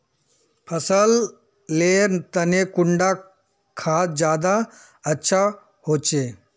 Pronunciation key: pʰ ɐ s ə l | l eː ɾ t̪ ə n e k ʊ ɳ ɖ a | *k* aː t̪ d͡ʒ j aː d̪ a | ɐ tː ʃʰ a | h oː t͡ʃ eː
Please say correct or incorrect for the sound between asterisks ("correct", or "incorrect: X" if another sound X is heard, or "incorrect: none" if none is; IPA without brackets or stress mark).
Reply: incorrect: kʰ